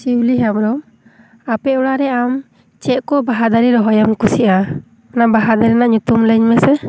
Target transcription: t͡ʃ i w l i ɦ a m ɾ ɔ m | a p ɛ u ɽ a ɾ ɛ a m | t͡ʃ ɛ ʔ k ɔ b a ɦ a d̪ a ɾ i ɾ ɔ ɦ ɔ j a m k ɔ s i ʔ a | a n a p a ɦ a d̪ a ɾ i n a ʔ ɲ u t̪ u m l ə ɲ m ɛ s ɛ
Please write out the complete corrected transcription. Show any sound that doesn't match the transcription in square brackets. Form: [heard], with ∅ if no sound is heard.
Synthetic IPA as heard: t͡ʃ i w l i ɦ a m ɾ ɔ m | a p ɛ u ɽ a ɾ ɛ a m | t͡ʃ ɛ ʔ k ɔ b a ɦ a d̪ a ɾ i ɾ ɔ ɦ ɔ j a m k [u] s i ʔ a | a n a [b] a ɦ a d̪ a ɾ i n a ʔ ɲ u t̪ u m l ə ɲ m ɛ s ɛ